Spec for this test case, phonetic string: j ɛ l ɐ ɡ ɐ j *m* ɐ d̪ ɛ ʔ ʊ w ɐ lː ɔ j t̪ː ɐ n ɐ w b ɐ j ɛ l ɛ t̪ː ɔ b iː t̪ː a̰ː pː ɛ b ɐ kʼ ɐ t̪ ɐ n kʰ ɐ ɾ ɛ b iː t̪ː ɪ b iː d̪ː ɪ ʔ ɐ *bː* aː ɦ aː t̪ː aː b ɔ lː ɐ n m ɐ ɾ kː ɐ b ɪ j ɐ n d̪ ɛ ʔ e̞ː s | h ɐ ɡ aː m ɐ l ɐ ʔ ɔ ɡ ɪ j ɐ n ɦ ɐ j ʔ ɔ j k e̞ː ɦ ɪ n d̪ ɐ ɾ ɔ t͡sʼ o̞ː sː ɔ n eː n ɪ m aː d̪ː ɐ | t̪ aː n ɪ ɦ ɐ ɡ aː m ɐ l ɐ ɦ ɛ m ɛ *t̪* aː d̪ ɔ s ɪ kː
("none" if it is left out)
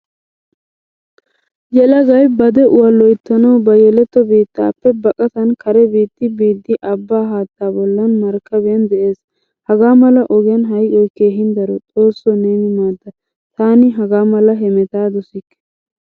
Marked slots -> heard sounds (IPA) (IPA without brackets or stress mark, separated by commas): b, bː, t̪